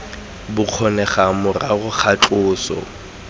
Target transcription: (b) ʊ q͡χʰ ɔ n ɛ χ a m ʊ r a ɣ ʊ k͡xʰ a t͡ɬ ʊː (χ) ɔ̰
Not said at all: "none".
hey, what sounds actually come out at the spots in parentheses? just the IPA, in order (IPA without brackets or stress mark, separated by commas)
b, s